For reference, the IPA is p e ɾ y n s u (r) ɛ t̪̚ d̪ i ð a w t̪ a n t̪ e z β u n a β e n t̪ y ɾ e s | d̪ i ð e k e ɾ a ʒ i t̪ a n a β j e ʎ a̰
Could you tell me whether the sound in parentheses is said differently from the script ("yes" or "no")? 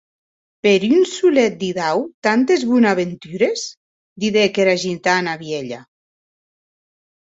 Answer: yes